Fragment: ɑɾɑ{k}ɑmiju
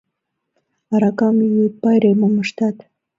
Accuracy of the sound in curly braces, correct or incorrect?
correct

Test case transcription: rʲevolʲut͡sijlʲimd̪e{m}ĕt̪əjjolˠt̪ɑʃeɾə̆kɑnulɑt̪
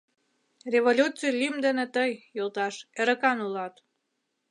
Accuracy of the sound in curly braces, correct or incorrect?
incorrect: n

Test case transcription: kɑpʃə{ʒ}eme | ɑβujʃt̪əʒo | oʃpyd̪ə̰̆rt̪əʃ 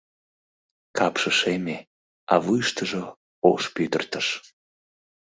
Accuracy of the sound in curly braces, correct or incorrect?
incorrect: ʃ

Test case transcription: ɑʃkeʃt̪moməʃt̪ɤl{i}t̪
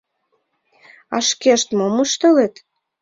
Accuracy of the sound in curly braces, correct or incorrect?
incorrect: e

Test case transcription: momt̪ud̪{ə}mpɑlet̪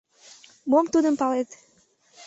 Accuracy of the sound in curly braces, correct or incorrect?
correct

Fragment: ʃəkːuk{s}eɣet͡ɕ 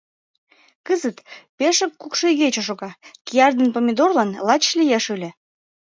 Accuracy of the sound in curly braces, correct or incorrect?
incorrect: ʃ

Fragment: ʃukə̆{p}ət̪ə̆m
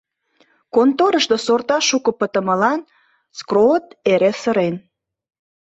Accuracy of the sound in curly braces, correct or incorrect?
correct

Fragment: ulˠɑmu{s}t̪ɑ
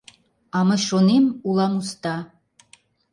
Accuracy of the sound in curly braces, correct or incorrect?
correct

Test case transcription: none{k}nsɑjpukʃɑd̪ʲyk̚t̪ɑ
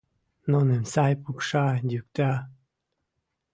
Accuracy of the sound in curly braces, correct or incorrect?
incorrect: none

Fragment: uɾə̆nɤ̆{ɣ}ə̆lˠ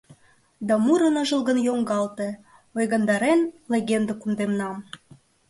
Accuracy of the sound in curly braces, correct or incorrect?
incorrect: ʒ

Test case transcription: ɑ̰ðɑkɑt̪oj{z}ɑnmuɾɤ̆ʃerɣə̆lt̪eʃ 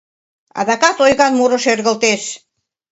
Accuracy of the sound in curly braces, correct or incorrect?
incorrect: ɣ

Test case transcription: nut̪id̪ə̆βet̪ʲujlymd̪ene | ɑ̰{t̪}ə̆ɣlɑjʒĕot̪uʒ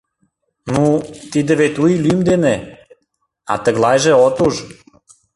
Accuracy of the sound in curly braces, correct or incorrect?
correct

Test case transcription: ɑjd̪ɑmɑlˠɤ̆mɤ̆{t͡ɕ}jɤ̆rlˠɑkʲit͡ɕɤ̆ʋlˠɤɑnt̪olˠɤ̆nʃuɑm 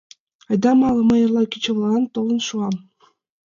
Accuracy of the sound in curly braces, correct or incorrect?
incorrect: none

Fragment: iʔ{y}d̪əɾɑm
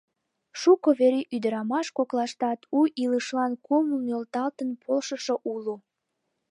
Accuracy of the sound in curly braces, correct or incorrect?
correct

